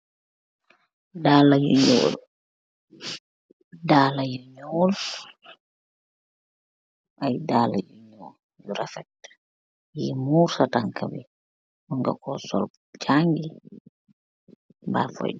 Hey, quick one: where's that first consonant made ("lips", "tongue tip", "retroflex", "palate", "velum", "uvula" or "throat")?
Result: tongue tip